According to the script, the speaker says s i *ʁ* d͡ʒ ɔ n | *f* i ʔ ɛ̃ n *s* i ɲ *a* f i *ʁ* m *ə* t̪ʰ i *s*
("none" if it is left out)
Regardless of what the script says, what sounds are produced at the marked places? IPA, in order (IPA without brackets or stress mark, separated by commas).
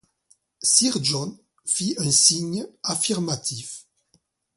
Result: ʁ, f, s, a, ʁ, a, f